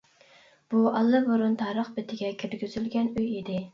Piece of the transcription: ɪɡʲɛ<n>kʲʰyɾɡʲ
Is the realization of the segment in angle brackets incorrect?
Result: yes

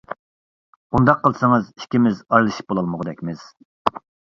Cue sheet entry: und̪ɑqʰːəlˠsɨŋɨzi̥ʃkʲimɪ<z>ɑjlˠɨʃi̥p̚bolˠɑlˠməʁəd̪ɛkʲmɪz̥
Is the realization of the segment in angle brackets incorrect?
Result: no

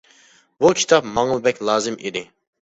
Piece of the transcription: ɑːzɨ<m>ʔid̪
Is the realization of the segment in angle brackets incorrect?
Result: no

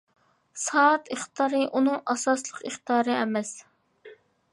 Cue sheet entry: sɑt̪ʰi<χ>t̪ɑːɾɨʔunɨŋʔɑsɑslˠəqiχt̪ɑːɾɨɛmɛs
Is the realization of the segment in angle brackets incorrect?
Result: no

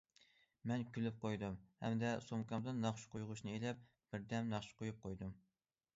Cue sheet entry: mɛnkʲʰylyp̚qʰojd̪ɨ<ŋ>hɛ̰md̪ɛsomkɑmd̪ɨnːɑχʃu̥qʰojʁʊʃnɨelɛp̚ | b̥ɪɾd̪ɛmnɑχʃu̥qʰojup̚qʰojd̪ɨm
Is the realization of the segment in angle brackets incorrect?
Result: yes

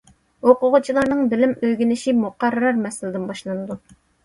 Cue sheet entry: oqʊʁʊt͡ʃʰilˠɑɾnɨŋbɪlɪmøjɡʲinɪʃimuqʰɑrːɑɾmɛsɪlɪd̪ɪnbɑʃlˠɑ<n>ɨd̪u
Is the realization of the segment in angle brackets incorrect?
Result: no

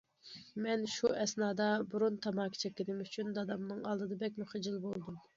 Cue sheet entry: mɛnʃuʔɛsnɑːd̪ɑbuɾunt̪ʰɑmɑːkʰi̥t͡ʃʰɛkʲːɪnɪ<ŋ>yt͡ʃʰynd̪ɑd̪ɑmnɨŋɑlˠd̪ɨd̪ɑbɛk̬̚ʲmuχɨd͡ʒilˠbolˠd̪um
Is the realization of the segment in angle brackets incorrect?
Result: yes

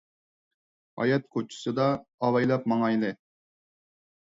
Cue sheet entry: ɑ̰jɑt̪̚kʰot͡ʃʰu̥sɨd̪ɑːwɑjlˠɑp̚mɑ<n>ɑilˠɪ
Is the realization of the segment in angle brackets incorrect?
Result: yes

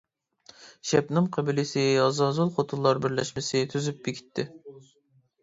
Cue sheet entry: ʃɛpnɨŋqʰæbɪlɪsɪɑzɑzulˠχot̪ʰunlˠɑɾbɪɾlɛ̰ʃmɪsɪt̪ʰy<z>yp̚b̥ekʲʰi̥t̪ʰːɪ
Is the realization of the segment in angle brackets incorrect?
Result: no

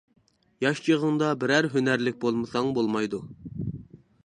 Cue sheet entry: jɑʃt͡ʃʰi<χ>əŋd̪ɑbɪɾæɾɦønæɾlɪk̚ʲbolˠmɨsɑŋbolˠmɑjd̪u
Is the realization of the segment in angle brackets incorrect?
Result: yes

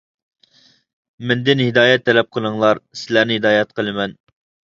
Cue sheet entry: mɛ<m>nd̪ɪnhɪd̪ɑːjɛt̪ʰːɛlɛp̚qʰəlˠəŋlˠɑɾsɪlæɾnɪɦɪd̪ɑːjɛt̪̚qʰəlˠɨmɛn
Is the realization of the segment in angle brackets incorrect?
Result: yes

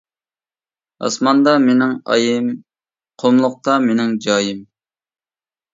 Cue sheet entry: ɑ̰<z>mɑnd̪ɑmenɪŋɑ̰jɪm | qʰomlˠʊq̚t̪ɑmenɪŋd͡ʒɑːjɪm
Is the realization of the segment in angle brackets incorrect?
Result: yes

